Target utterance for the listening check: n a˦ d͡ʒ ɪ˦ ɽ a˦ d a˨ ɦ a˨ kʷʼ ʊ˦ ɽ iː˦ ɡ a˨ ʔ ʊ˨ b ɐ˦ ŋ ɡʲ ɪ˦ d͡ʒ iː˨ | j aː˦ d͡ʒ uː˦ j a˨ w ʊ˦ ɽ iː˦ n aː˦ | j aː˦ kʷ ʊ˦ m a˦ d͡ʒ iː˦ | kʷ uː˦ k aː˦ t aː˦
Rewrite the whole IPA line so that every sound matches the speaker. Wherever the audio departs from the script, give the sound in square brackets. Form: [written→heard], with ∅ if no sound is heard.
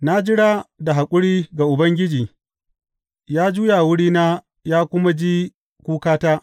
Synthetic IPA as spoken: n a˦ d͡ʒ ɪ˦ ɽ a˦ d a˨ ɦ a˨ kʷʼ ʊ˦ ɽ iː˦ ɡ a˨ ʔ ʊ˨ b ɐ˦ ŋ ɡʲ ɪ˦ d͡ʒ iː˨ | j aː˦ d͡ʒ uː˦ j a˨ w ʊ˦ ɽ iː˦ n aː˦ | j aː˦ kʷ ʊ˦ m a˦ d͡ʒ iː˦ | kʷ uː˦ k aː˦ t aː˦